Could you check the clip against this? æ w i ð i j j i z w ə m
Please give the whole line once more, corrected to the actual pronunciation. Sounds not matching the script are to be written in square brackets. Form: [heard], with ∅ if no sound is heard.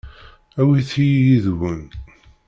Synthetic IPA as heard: æ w i [θ] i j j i [ð] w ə [n]